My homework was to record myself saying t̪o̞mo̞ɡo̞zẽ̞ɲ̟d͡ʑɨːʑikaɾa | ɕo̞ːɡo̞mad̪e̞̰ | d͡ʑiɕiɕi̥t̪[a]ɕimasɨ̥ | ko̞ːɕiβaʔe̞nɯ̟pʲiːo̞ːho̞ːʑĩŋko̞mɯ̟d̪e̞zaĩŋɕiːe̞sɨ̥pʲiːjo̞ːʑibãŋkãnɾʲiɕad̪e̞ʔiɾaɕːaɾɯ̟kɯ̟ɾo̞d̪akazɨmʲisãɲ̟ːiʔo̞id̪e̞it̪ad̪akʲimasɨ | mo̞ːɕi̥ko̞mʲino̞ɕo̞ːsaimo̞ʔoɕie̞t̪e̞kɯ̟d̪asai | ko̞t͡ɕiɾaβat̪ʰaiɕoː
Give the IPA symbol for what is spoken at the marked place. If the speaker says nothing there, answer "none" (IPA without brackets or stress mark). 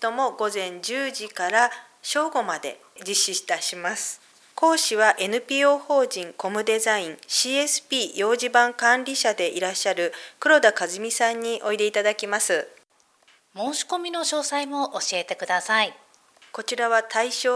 a